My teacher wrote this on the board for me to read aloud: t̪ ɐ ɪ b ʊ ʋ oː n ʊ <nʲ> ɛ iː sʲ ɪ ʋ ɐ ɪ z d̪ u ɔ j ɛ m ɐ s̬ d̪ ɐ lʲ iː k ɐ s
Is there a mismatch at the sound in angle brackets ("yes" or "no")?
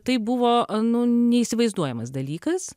no